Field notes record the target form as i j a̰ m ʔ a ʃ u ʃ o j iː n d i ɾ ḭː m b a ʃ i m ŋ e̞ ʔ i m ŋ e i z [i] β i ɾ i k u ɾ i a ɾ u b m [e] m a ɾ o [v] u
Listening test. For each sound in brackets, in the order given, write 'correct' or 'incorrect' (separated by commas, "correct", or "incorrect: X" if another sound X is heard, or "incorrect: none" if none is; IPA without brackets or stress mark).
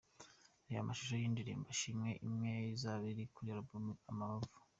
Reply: incorrect: a, incorrect: a, correct